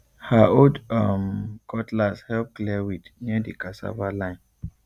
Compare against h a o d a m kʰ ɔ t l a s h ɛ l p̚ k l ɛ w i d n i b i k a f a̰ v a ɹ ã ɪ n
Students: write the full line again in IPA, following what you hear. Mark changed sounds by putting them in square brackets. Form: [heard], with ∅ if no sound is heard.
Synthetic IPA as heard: h a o d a m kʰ ɔ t l a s h ɛ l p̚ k l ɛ w i d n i [d] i k a [s] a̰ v a [l] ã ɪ n